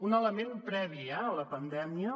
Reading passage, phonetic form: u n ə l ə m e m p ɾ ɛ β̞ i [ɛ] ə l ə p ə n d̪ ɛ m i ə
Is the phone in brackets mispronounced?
no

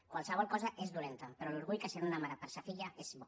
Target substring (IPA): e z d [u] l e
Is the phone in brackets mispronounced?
no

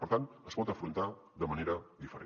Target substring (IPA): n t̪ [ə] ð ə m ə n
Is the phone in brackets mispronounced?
yes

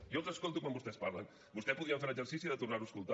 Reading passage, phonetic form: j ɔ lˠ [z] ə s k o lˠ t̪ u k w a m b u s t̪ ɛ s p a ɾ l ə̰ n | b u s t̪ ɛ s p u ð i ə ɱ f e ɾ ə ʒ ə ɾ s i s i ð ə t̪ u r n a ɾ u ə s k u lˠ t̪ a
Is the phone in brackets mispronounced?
no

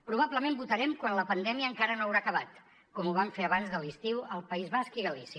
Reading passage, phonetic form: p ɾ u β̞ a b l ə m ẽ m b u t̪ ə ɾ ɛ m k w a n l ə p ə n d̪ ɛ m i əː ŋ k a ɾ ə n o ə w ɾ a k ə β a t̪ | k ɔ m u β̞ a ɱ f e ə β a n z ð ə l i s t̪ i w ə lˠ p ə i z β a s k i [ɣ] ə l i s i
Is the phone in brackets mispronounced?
no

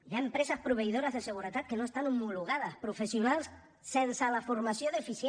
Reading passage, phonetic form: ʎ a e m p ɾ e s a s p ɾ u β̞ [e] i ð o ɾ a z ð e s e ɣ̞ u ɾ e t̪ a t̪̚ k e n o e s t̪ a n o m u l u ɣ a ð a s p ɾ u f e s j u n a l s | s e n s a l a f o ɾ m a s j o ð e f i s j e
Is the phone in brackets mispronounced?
no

